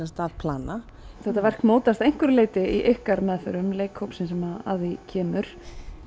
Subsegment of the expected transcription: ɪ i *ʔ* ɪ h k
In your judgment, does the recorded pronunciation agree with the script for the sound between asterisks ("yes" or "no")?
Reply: yes